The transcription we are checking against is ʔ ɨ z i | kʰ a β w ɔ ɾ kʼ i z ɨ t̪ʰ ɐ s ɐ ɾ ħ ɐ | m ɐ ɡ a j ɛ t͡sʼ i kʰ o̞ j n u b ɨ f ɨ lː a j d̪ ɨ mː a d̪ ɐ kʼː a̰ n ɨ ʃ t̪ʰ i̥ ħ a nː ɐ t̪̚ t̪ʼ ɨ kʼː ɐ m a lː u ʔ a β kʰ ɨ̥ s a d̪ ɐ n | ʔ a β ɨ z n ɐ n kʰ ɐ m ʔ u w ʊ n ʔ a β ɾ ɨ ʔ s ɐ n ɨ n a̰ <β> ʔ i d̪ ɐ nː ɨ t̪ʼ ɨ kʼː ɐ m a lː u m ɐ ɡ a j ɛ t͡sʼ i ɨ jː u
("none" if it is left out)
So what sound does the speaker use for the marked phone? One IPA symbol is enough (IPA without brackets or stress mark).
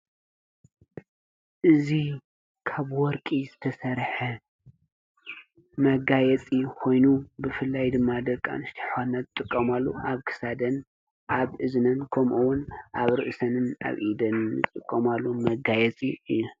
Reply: β